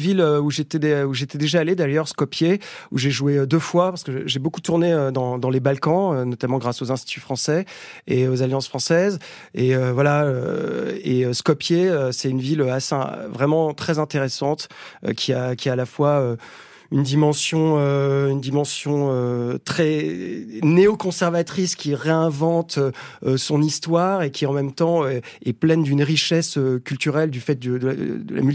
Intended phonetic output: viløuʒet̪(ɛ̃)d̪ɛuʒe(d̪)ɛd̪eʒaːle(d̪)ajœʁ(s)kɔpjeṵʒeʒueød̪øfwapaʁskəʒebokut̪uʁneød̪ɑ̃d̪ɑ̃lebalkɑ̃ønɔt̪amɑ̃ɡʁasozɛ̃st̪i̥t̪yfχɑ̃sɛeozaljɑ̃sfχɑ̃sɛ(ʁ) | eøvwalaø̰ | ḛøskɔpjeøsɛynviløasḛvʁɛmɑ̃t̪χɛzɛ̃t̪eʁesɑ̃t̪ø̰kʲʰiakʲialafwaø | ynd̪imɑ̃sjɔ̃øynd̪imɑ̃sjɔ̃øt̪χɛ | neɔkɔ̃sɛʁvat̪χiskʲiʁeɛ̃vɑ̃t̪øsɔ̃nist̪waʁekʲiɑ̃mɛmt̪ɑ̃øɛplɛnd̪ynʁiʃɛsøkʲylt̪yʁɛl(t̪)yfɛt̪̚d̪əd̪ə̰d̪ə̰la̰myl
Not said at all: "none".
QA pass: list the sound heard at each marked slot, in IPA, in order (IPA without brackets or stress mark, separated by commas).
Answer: ɛ, t̪, d̪, s, z, d̪